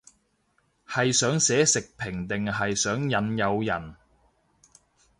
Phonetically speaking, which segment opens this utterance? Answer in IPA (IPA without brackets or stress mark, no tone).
h